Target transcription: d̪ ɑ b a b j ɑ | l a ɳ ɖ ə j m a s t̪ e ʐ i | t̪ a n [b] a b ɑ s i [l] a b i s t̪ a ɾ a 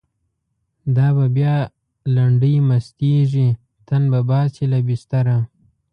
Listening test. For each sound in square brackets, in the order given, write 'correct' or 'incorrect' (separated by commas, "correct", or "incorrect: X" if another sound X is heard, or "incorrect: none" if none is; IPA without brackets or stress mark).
correct, correct